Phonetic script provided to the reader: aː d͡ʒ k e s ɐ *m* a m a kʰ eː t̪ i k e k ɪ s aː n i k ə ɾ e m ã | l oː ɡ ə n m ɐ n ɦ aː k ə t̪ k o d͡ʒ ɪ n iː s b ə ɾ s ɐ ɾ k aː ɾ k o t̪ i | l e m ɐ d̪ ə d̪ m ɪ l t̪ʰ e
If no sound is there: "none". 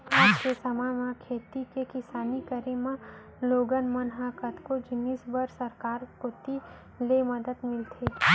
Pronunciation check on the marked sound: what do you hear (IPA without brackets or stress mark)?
m